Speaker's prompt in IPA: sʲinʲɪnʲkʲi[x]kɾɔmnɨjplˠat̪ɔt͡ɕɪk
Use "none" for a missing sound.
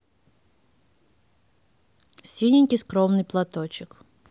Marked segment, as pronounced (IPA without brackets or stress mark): s